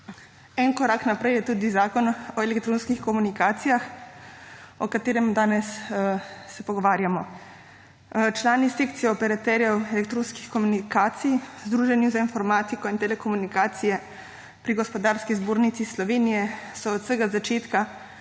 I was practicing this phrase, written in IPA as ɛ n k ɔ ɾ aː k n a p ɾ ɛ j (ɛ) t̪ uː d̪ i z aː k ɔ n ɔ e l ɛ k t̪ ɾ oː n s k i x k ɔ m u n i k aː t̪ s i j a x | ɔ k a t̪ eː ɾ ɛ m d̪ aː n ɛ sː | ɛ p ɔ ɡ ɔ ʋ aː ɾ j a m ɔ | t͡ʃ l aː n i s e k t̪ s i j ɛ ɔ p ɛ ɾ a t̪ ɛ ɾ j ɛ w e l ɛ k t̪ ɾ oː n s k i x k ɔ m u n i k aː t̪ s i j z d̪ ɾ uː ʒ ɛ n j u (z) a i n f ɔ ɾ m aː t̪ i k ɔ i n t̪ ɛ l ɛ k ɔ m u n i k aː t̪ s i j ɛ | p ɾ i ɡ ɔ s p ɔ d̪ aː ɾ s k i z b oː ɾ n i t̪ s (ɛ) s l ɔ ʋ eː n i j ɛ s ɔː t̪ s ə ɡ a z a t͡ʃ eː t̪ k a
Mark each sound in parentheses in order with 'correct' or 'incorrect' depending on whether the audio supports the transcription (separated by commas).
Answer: correct, correct, incorrect